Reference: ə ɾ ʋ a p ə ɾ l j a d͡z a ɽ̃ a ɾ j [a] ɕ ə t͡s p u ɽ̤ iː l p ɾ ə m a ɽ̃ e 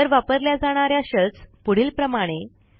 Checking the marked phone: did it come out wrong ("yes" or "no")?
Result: no